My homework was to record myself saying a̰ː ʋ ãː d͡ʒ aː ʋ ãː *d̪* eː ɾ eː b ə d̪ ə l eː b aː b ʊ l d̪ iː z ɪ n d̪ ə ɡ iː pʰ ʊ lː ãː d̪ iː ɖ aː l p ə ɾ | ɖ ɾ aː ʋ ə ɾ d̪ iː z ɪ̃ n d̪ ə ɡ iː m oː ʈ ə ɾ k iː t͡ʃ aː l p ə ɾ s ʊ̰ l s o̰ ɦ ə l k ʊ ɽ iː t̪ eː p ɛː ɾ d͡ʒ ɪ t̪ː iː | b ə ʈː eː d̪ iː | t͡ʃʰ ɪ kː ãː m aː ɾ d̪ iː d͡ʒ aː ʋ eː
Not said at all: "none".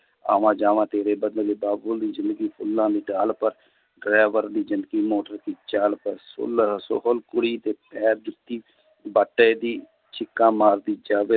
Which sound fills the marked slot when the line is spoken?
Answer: t̪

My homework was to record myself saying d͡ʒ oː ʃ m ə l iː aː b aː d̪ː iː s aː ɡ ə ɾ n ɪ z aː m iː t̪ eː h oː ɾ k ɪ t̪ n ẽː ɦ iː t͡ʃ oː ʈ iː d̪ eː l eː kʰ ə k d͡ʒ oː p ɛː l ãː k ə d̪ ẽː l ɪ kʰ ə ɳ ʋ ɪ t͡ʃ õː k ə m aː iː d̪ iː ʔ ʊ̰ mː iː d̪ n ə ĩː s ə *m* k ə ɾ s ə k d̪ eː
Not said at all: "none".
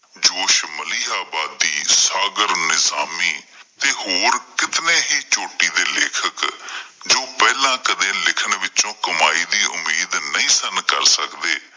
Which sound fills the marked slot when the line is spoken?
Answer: n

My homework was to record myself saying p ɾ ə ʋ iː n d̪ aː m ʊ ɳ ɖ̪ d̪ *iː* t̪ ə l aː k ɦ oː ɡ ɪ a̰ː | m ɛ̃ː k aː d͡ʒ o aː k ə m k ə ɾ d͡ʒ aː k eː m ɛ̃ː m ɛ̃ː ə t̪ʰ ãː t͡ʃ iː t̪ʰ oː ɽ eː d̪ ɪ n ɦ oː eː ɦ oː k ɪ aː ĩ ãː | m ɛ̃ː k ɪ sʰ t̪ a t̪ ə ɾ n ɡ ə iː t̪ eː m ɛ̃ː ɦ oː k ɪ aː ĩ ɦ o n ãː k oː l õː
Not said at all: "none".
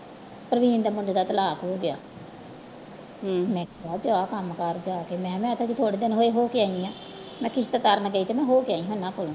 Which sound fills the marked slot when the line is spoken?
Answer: aː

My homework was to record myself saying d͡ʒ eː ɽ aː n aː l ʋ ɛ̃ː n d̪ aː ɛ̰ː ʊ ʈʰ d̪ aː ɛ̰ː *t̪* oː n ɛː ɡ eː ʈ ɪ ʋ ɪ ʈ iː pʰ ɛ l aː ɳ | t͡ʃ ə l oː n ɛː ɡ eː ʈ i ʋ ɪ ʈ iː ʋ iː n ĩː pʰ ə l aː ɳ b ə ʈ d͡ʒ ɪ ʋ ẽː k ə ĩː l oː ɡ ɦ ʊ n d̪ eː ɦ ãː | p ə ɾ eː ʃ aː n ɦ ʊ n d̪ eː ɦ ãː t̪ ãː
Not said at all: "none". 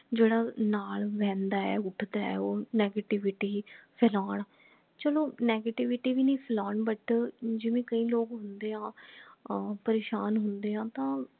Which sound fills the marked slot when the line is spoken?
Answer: none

